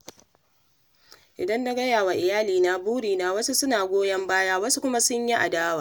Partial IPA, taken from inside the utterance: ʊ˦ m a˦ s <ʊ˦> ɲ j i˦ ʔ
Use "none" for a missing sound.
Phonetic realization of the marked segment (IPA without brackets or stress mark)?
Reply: ʊ˦